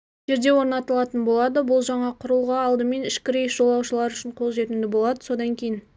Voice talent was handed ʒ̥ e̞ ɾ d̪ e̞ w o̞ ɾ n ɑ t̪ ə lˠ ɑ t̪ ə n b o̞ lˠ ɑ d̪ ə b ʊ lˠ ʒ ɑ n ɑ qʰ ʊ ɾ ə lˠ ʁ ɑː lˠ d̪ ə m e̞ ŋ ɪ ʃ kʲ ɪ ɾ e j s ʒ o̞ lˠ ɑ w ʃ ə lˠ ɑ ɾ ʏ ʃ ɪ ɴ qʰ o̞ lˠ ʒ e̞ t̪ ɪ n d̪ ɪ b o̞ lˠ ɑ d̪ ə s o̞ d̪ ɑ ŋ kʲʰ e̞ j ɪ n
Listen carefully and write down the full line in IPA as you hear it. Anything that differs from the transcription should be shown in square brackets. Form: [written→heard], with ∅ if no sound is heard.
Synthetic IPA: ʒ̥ e̞ ɾ d̪ e̞ w o̞ ɾ n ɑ t̪ ə lˠ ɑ t̪ ə n b o̞ lˠ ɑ d̪ ə b ʊ lˠ ʒ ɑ [n→ɴ] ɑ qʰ ʊ ɾ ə lˠ ʁ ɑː lˠ d̪ ə m e̞ [ŋ→n] ɪ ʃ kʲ ɪ ɾ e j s ʒ o̞ lˠ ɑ w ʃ ə lˠ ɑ ɾ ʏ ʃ ɪ ɴ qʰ o̞ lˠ ʒ e̞ t̪ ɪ n d̪ ɪ b o̞ lˠ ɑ d̪ ə s o̞ d̪ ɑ ŋ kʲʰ e̞ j ɪ n